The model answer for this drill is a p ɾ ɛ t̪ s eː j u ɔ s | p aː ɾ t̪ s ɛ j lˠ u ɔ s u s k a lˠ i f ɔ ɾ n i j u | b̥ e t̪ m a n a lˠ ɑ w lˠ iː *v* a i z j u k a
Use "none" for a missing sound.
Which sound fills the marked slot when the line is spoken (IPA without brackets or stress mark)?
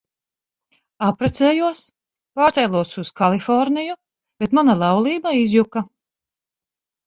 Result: b